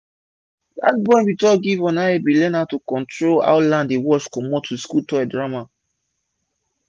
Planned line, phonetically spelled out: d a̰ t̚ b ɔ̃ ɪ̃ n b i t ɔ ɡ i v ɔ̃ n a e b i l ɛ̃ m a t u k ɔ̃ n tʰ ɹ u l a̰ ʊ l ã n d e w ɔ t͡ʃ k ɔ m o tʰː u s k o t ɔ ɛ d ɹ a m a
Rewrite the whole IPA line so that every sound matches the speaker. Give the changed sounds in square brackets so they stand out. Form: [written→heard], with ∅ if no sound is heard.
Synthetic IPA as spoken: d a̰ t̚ b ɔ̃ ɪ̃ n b i t ɔ ɡ i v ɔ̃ n a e b i l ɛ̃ [m→n] a t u k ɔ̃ n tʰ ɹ [u→o] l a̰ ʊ l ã n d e w ɔ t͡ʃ k ɔ m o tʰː u s k [o→u] t ɔ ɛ d ɹ a m a